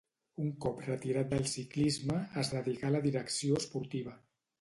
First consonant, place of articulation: velar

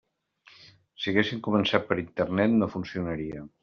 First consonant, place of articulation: alveolar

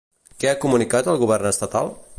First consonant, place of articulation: velar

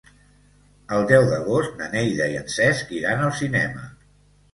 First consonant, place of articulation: alveolar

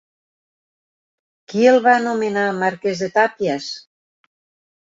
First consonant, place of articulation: velar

